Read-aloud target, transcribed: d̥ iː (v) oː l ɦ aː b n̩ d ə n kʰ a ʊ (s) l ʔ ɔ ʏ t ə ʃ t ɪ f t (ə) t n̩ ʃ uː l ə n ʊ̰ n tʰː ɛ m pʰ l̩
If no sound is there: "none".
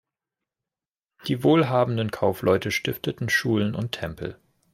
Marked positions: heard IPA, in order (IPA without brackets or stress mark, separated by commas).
v, f, ə